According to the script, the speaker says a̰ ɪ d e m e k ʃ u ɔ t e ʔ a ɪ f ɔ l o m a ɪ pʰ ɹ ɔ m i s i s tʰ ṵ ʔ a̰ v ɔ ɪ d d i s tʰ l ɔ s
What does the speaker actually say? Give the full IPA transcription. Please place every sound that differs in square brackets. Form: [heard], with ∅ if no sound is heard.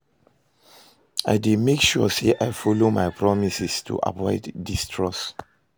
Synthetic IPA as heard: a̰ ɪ d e m e k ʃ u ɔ [s] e ʔ a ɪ f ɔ l o m a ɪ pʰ ɹ ɔ m i s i s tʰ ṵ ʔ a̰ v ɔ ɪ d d i s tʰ [ɹ] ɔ s

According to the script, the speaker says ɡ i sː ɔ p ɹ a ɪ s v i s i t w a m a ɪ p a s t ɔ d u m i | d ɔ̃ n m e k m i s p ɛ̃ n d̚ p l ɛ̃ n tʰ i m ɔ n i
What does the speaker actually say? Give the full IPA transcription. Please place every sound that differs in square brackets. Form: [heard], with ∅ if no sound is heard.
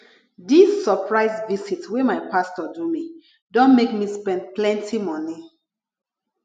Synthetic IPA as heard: [d] i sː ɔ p ɹ a ɪ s v i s i t w [e] m a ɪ p a s t ɔ d u m i | d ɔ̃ n m e k m i s p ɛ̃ n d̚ p l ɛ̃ n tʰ i m ɔ n i

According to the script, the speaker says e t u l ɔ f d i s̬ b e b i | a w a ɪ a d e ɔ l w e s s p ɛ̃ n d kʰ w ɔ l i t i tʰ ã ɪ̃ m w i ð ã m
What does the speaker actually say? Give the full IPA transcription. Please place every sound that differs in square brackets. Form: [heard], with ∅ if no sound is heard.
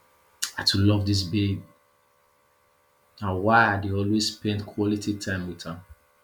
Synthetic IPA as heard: [a] t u l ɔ [v] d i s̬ b e b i | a w a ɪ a d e ɔ l w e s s p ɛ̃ n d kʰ w ɔ l i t i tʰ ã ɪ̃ m w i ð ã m

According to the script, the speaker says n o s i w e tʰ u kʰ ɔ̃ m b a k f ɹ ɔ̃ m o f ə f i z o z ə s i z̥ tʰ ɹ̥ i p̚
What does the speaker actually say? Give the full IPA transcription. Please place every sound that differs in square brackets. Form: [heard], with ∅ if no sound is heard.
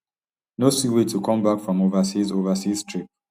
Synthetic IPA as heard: n o s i w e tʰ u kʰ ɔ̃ m b a k f ɹ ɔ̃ m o [v] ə [s] i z o [v] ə s i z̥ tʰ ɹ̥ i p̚

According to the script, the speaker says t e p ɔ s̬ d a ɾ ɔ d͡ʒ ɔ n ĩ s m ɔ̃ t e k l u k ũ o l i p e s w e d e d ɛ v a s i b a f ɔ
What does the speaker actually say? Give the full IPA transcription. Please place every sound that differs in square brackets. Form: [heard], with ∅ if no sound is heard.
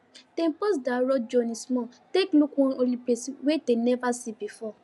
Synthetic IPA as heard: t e p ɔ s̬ d a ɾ ɔ d͡ʒ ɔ n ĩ s m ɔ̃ t e k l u k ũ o l i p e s w e d e [n] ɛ v a s i b [i] f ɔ

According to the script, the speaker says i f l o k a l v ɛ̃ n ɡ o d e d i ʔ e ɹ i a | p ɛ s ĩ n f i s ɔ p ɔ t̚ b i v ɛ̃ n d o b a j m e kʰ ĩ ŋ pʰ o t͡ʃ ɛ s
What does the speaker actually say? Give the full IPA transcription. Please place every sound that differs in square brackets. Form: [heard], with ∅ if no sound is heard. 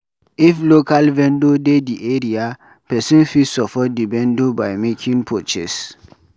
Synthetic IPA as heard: i f l o k a l v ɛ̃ n [d] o d e d i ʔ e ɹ i a | p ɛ s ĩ n f i s ɔ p ɔ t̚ [d] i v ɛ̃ n d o b a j m e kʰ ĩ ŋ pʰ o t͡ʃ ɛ s

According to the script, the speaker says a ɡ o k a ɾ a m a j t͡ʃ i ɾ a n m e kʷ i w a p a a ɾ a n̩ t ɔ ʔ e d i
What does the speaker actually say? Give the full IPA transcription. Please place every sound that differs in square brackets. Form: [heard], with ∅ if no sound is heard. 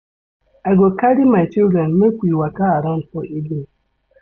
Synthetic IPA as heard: a ɡ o k a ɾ [i] m a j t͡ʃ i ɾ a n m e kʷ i w a [k] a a ɾ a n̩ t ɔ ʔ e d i

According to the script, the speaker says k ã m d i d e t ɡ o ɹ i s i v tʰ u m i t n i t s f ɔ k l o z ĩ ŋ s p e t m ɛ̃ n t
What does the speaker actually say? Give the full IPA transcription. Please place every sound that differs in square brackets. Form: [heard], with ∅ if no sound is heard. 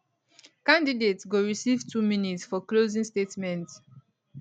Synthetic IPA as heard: k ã [n] d i d e t ɡ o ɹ i s i v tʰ u m i [∅] n i t s f ɔ k l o z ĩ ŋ s [t] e t m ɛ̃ n t

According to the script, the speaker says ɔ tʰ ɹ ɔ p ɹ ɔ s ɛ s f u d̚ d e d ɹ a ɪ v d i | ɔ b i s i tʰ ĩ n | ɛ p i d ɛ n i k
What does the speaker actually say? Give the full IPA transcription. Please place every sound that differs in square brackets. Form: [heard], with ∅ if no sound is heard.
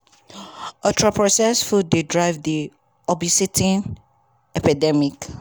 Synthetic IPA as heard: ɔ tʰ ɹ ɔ p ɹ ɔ s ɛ s f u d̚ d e d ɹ a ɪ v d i | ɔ b i s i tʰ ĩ n | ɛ p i d ɛ [m] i k

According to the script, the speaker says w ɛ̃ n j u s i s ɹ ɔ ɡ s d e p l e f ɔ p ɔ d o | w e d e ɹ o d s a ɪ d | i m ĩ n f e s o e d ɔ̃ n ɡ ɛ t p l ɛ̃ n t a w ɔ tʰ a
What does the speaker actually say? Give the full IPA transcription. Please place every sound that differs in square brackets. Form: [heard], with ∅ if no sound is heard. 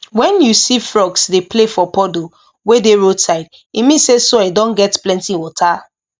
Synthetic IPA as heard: w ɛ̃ n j u s i [f] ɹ ɔ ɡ s d e p l e f ɔ p ɔ d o | w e d e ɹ o d s a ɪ d | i m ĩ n [s] e s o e d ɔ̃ n ɡ ɛ t p l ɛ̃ n t [i] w ɔ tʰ a

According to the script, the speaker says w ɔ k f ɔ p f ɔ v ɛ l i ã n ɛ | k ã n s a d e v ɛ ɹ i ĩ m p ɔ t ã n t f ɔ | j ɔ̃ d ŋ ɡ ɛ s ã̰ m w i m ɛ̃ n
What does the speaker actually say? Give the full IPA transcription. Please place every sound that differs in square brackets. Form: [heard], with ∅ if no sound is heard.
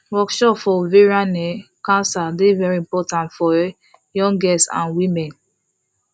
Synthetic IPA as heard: w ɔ k [ʃ] ɔ p f ɔ v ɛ [ɹ] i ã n ɛ | k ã n s a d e v ɛ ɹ i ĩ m p ɔ t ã n t f ɔ | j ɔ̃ [∅] ŋ ɡ ɛ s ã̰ [n] w i m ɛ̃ n

